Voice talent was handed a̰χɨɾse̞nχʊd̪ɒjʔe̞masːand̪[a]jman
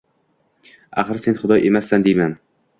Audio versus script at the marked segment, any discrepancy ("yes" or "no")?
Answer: yes